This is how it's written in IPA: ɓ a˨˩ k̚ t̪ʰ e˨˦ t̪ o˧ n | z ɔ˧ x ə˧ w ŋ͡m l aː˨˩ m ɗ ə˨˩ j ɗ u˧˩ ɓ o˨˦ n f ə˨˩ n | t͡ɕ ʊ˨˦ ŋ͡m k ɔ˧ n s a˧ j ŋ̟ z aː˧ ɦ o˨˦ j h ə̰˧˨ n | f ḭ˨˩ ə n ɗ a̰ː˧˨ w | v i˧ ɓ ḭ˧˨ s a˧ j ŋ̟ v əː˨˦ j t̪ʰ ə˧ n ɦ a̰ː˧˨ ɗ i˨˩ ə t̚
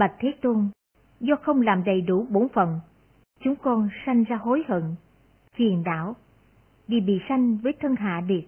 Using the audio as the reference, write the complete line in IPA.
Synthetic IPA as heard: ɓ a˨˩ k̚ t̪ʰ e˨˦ t̪ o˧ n | z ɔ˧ x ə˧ w ŋ͡m l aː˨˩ m ɗ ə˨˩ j ɗ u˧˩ ɓ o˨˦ n f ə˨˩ n | t͡ɕ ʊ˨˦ ŋ͡m k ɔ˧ n s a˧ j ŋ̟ z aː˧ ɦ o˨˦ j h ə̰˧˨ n | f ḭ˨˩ ə n ɗ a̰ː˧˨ w | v i˨˩ ɓ ḭ˧˨ s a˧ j ŋ̟ v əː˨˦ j t̪ʰ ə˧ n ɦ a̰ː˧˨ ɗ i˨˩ ə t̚